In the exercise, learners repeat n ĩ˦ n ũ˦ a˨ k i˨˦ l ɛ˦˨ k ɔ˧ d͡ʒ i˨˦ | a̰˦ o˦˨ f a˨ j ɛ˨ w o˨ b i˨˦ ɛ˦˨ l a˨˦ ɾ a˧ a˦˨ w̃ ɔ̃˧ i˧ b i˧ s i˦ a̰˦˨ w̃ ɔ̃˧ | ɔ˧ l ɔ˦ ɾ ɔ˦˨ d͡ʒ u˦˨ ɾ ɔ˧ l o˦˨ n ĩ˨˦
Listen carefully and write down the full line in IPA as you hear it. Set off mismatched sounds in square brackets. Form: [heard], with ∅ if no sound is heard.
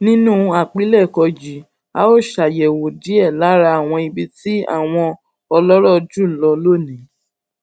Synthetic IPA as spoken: n ĩ˦ n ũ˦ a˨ [k͡p] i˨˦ l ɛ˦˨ k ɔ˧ d͡ʒ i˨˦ | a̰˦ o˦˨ [ʃ] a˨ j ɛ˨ w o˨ [d] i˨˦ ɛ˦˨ l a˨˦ ɾ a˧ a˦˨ w̃ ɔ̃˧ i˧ b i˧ [t] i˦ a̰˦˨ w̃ ɔ̃˧ | ɔ˧ l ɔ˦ ɾ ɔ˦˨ d͡ʒ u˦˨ [l] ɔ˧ l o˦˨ n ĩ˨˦